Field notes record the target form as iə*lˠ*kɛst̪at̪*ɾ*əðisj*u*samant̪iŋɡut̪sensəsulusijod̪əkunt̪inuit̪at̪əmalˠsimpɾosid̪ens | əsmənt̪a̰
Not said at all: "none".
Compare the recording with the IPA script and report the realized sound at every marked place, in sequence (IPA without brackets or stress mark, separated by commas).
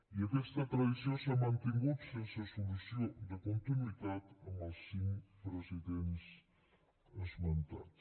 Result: none, ɾ, o